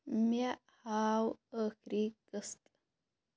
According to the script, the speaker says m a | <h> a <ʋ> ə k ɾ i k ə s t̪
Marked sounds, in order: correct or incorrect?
correct, incorrect

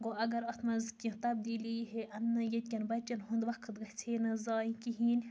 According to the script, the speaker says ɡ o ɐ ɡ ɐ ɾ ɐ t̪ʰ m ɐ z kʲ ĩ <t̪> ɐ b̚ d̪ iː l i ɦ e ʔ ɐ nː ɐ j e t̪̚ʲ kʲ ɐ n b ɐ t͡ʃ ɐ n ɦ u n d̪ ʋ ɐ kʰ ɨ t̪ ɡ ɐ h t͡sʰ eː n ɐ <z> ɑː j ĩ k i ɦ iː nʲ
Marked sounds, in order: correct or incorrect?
correct, correct

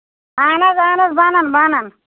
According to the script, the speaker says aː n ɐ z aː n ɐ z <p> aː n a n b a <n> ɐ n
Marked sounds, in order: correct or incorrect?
incorrect, correct

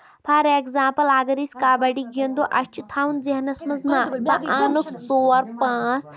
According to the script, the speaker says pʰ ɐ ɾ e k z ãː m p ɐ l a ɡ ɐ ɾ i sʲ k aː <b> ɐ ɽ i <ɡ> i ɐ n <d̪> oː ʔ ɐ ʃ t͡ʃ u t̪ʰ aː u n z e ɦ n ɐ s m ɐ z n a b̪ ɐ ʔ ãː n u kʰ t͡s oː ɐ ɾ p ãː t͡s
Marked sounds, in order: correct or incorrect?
correct, correct, correct

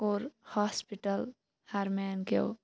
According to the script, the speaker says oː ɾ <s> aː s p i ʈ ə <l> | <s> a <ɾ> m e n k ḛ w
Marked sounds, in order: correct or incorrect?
incorrect, correct, incorrect, correct

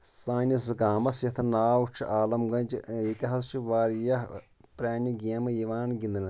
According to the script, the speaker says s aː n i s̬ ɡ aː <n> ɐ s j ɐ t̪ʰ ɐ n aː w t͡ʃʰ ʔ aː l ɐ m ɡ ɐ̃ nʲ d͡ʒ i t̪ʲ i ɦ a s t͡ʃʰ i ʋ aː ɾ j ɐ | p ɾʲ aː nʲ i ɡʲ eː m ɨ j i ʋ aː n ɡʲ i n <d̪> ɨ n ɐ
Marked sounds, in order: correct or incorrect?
incorrect, correct

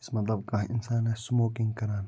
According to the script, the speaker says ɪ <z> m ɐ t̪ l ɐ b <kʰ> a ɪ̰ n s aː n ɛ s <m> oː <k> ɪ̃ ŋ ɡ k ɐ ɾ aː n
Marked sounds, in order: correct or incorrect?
incorrect, incorrect, correct, correct

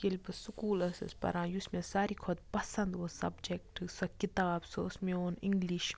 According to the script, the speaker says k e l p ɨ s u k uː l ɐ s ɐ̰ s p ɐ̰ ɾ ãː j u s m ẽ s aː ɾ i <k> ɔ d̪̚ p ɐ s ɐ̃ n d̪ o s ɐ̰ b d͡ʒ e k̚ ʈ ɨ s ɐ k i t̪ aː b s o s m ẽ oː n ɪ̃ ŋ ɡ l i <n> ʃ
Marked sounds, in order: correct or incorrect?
incorrect, incorrect

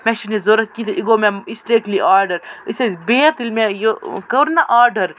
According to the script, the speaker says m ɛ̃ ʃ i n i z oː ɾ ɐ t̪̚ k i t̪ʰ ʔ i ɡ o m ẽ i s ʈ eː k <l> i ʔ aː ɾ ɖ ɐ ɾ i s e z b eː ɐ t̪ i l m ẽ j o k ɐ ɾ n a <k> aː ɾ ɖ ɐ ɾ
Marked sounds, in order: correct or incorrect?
correct, incorrect

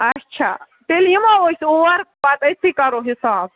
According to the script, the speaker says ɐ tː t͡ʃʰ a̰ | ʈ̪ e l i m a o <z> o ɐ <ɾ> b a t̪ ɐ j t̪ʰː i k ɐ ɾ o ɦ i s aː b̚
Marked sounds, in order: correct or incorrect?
incorrect, correct

